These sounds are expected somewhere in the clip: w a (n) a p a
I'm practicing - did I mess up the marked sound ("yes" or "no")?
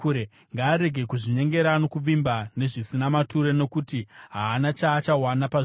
no